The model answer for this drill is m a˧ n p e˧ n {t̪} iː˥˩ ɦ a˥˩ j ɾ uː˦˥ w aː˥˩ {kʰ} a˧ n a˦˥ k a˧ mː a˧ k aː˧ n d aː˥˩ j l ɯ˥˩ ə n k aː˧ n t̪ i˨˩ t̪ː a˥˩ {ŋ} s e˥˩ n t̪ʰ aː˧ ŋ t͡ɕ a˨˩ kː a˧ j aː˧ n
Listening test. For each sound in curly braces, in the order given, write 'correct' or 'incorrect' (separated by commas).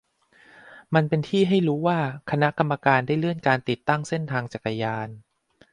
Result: incorrect, correct, correct